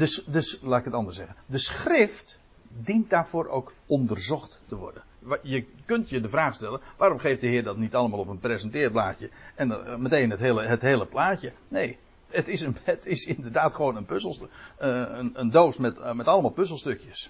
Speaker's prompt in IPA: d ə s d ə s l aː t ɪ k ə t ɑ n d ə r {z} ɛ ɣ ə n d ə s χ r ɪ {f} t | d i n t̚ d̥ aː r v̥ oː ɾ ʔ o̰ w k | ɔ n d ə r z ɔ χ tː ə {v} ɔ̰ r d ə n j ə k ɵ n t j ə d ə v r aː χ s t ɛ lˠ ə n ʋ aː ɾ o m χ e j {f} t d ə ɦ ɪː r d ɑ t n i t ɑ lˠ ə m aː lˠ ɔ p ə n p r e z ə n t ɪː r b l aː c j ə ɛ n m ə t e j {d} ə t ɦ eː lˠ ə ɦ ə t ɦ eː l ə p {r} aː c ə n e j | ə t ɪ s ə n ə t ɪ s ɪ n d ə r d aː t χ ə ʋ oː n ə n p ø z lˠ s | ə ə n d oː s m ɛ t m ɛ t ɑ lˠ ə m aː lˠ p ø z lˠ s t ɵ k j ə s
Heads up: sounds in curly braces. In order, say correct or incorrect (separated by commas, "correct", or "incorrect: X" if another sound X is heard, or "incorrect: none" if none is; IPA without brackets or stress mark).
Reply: incorrect: s, correct, incorrect: ʋ, correct, incorrect: n, incorrect: l